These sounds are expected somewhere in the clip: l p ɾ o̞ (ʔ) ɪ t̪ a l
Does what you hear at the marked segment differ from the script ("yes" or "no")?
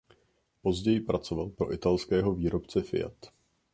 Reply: no